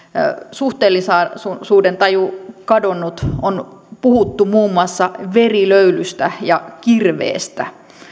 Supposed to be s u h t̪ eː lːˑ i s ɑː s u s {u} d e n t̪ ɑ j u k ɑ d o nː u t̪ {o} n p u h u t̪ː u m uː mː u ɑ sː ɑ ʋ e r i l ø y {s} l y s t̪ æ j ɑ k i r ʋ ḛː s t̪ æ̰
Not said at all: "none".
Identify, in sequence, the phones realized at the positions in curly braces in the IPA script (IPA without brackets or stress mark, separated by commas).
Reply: uː, o, none